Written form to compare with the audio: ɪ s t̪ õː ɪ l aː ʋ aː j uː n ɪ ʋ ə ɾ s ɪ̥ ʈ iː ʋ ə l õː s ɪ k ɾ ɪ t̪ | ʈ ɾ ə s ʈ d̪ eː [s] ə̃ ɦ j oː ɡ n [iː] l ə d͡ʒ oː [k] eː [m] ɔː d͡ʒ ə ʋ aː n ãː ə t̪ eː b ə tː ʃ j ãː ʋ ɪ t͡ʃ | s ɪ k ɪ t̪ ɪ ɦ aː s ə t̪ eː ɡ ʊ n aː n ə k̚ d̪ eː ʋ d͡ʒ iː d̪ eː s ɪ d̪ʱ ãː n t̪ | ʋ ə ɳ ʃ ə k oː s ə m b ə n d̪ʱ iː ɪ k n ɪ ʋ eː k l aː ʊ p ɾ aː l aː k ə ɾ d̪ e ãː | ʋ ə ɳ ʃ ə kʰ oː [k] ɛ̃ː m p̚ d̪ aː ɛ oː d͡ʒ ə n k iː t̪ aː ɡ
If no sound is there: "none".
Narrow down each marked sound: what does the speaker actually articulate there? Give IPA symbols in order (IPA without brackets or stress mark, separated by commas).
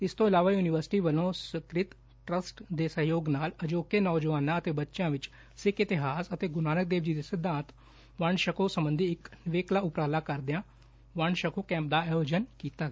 s, aː, k, n, k